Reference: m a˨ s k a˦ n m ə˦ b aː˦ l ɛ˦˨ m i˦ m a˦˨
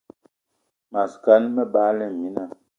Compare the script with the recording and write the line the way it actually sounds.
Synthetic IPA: m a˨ s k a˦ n m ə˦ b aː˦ l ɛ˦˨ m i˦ n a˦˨

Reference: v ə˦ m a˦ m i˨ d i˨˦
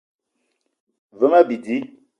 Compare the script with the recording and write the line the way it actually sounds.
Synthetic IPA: v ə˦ m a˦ b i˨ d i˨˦

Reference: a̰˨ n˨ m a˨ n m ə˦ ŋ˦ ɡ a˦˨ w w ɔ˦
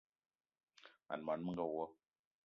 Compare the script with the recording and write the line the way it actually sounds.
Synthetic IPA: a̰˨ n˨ m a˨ n m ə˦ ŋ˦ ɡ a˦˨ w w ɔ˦

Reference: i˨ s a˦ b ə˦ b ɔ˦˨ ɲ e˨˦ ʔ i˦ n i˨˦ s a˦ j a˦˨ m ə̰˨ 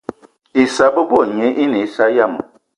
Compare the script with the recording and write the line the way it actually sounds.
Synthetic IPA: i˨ s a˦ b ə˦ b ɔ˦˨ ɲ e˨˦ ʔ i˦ n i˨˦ s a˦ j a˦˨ m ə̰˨

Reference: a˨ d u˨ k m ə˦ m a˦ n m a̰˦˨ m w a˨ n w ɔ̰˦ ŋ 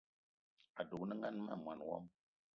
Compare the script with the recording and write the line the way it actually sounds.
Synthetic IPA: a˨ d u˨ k n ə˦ ŋ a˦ n m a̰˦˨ m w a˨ n w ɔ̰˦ m

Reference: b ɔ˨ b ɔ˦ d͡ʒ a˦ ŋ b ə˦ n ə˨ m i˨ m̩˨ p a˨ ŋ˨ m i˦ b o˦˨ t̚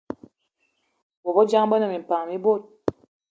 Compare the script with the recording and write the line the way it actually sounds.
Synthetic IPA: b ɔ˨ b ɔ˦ d͡ʒ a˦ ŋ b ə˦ n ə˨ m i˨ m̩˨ p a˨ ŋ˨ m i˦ b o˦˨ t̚

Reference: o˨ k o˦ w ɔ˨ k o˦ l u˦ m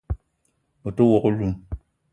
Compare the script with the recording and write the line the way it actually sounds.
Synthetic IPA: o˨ t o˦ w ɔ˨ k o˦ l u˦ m

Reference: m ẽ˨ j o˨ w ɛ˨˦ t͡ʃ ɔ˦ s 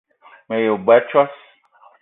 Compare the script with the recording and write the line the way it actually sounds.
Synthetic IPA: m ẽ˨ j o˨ b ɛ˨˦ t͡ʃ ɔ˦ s

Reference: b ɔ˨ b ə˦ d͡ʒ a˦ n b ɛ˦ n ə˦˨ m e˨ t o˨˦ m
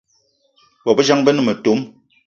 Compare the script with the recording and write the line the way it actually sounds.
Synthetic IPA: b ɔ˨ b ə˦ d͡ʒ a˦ ŋ b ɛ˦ n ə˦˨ m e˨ t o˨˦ m

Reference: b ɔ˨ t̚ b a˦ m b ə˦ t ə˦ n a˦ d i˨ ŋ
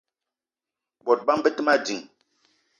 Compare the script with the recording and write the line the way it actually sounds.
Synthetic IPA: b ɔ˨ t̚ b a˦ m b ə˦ t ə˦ m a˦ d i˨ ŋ

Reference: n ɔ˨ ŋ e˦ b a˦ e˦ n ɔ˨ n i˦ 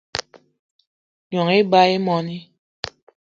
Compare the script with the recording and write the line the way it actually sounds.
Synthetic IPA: ɲ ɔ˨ ŋ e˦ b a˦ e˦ m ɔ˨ n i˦

